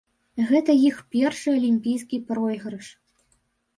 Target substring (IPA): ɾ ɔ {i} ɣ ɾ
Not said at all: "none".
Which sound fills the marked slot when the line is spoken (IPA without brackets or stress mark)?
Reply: j